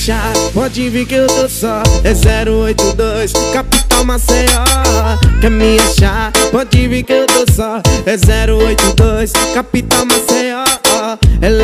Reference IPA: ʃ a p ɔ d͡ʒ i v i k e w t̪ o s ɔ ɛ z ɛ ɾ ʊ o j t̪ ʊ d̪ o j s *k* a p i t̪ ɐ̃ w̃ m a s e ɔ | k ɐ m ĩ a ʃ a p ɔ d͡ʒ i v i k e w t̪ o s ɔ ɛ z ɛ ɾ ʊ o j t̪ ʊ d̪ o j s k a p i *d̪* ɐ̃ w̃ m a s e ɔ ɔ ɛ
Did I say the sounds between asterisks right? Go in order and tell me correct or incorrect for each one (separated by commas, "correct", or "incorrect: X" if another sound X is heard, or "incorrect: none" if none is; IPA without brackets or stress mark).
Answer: correct, incorrect: t̪